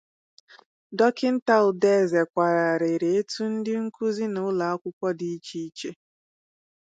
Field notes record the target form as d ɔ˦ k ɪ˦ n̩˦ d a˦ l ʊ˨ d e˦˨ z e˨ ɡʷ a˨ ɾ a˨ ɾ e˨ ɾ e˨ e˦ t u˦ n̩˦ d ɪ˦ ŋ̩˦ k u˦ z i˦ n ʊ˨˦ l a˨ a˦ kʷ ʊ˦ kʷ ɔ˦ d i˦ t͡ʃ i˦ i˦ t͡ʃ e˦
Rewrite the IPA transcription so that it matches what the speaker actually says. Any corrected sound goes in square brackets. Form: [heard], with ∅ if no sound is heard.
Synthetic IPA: d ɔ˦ k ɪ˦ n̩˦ [t] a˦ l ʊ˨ d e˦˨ z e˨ [kʷ] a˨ ɾ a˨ ɾ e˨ ɾ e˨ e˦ t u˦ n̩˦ d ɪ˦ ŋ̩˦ k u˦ z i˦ n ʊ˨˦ l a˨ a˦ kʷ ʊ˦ kʷ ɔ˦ d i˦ t͡ʃ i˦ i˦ t͡ʃ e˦